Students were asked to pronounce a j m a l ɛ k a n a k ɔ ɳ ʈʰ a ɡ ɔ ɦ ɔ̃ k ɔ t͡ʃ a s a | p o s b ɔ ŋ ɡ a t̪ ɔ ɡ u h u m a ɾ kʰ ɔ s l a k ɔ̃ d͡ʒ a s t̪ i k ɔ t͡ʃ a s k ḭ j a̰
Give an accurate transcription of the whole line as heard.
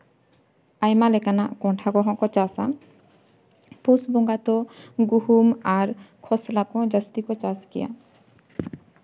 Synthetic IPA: a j m a l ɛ k a n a k ɔ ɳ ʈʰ a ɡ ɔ ɦ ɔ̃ k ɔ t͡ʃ a s a | p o s b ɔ ŋ ɡ a t̪ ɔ ɡ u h u m a ɾ kʰ ɔ s l a k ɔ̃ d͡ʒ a s t̪ i k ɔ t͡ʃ a s k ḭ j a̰